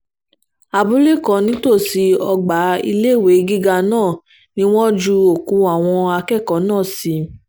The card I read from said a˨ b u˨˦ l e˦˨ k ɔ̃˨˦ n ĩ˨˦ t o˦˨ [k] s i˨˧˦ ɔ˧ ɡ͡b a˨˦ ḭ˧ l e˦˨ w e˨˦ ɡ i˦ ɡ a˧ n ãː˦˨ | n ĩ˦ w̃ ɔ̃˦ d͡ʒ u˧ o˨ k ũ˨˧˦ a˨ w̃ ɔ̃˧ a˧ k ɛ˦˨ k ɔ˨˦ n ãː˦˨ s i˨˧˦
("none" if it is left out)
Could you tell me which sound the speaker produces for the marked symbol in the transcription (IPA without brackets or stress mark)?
none